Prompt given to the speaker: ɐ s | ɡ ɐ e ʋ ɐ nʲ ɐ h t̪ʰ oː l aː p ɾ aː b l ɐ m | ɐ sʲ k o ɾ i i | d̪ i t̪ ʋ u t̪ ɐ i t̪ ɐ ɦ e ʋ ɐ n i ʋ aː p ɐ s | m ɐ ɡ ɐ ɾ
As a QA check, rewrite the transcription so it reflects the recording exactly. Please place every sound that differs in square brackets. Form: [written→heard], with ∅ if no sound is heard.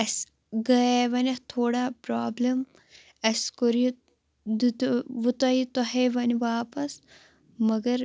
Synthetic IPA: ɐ s | ɡ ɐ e ʋ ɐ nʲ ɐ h t̪ʰ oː [l→ɽ] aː p ɾ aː b l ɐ m | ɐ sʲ k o ɾ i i | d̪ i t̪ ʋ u t̪ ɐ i t̪ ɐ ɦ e ʋ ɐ n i ʋ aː p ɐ s | m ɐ ɡ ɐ ɾ